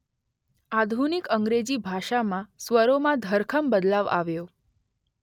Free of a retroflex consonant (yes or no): yes